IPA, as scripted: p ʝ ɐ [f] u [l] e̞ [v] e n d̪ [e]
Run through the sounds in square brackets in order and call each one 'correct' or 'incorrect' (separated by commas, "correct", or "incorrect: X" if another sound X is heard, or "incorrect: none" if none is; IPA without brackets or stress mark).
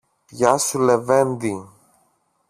incorrect: s, correct, correct, incorrect: i